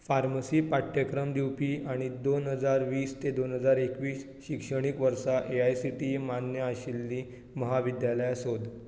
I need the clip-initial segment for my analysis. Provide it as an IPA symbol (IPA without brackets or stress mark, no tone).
f